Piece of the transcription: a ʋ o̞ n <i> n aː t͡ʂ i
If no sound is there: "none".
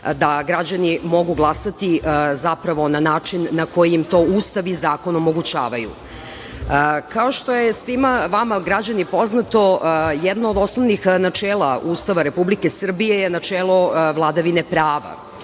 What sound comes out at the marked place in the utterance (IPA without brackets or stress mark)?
a